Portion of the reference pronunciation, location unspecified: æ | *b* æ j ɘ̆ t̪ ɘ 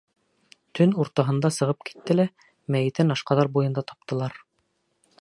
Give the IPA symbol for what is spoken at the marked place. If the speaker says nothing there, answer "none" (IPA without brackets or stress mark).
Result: m